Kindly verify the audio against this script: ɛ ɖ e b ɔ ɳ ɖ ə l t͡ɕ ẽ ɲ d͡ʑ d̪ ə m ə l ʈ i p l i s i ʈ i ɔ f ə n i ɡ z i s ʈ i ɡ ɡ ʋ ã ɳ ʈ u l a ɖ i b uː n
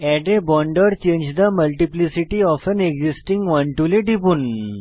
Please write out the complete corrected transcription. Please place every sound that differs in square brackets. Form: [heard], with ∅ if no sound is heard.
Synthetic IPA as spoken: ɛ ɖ e b ɔ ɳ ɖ ə [ɾ] t͡ɕ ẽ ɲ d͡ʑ d̪ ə m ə l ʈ i p l i s i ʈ i ɔ f ə n [e] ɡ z i s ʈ i [ŋ] ɡ ʋ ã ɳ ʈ u l [e] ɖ i b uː n